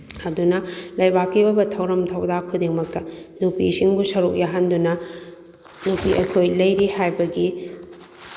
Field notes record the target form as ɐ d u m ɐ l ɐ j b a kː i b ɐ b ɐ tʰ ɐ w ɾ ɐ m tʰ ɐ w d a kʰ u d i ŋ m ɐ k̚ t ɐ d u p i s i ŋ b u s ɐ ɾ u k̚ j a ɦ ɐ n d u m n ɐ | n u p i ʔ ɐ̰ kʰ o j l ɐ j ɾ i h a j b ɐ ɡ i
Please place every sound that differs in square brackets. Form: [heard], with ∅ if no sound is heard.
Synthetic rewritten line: ɐ d u [n] ɐ l ɐ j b a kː i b ɐ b ɐ tʰ ɐ w ɾ ɐ m tʰ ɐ w d a kʰ u d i ŋ m ɐ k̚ t ɐ [n] u p i s i ŋ b u s ɐ ɾ u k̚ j a ɦ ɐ n d u [∅] n ɐ | n u p i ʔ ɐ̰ kʰ o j l ɐ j ɾ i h a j b ɐ ɡ i